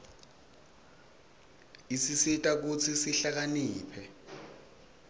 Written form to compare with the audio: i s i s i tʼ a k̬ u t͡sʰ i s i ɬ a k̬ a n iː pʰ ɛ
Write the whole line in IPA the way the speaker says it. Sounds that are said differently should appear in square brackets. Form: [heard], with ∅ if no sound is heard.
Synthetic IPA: i s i s i tʼ a k̬ u t͡sʰ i s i ɬ a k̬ a n iː pʰ ɛ

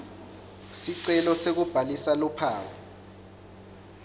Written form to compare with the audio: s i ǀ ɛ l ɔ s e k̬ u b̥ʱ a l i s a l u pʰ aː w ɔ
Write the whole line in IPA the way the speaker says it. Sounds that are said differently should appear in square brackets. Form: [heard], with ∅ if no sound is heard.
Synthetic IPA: s i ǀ ɛ l ɔ s e k̬ u b̥ʱ a l i s a l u pʰ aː w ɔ

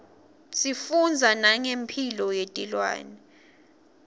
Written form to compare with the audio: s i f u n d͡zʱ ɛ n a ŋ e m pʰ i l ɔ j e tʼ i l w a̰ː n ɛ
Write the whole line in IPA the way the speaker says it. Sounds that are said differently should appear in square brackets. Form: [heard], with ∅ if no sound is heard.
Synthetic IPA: s i f u n d͡zʱ [a] n a ŋ e m pʰ i l ɔ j e tʼ i l w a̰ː n ɛ

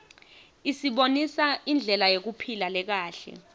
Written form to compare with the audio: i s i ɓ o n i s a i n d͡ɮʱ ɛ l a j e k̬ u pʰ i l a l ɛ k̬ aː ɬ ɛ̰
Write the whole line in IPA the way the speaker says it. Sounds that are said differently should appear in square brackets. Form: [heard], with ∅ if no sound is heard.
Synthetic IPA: i s i ɓ o n i s a i n d͡ɮʱ ɛ l a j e k̬ u pʰ i l a l ɛ k̬ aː ɬ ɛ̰

